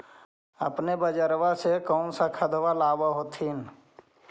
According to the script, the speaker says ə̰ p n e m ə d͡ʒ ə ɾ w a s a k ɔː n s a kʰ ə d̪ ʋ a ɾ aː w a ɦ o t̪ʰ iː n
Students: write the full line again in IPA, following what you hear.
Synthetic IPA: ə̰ p n e b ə d͡ʒ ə ɾ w a s e k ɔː n s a kʰ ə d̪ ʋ a l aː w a ɦ o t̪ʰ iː n